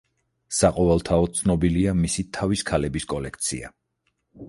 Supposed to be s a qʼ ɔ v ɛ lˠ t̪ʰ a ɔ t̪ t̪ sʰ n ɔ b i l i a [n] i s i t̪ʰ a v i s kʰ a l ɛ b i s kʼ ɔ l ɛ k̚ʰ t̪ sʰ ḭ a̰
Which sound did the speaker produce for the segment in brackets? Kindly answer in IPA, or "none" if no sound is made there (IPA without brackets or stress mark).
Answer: m